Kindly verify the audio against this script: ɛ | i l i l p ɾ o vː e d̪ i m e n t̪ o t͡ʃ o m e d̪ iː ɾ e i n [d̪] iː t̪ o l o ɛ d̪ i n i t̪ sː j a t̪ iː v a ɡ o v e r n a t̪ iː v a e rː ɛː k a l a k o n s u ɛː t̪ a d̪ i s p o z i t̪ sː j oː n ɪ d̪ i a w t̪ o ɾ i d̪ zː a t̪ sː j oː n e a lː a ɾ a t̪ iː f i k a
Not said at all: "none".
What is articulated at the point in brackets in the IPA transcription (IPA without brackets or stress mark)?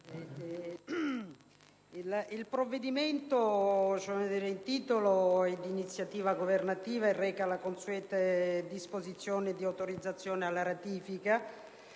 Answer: t̪